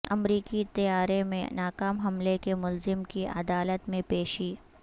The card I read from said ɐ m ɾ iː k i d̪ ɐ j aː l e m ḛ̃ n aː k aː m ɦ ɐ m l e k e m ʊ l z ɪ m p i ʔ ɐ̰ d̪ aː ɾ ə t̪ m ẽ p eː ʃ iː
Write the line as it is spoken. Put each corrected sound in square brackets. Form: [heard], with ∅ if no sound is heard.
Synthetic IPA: ɐ m ɾ iː k i [t̪] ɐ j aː [ɾ] e m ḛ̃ n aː k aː m ɦ ɐ m l e k e m ʊ l z ɪ m [k] i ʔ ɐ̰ d̪ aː [l] ə t̪ m ẽ p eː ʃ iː